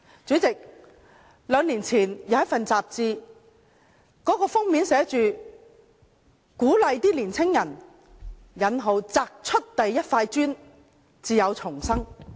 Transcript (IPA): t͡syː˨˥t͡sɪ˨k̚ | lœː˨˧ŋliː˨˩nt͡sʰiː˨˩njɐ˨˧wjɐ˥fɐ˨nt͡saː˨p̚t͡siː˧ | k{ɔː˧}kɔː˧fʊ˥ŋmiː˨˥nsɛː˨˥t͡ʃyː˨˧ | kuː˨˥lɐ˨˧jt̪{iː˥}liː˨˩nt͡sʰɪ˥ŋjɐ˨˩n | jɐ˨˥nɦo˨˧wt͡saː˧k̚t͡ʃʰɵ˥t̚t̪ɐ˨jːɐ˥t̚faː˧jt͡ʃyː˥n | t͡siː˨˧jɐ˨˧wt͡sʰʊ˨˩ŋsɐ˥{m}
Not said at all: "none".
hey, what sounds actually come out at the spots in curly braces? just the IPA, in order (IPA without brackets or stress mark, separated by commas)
ɔː˨˥, iː˥, ŋ